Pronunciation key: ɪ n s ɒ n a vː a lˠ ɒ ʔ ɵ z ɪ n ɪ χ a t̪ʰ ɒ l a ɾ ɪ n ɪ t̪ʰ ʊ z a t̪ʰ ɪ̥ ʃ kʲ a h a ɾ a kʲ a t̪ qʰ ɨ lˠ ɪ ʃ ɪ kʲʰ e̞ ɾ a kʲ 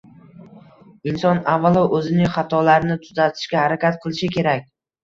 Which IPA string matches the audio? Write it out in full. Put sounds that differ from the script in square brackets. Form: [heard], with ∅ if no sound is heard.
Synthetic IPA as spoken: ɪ n s ɒ n a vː a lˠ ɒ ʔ ɵ z ɪ n ɪ χ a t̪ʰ ɒ l a ɾ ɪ n ɪ t̪ʰ ʊ z a t̪ʰ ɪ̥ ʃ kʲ a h a ɾ a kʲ a t̪ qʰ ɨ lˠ ɪ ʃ ɪ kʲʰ e̞ ɾ a kʲ